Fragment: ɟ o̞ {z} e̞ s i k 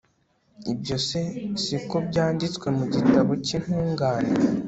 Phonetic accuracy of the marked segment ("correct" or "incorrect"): incorrect